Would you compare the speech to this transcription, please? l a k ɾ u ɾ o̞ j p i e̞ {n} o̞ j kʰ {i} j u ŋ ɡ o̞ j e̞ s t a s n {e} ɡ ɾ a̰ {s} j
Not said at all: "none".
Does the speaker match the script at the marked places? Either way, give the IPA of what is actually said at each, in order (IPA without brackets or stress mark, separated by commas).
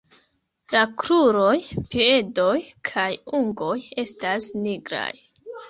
d, a, i, none